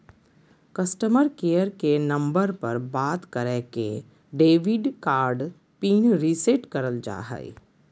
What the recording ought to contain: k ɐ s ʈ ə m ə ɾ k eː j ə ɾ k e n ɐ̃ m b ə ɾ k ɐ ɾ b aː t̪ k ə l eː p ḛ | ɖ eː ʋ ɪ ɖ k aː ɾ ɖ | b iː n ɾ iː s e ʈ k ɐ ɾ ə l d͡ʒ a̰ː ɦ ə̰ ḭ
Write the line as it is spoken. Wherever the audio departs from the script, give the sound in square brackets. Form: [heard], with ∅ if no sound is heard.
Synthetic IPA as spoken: k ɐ s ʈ ə m ə ɾ k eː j ə ɾ k e n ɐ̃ m b ə ɾ [p] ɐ ɾ b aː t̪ k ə [ɾ] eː [k] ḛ | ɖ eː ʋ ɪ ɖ k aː ɾ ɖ | [p] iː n ɾ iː s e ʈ k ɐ ɾ ə l d͡ʒ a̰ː ɦ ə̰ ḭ